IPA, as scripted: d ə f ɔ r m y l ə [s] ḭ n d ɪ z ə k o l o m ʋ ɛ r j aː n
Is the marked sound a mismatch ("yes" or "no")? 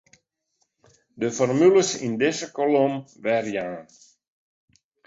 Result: no